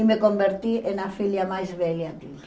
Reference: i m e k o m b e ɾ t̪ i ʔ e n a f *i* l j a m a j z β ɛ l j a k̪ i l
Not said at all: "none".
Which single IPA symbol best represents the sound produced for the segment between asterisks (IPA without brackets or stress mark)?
i